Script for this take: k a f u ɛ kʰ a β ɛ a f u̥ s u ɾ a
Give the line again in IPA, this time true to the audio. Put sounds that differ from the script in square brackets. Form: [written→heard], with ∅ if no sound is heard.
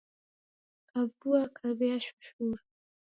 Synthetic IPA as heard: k a [f→v] u [ɛ→a] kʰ a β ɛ a [f→ʃ] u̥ [s→ʃ] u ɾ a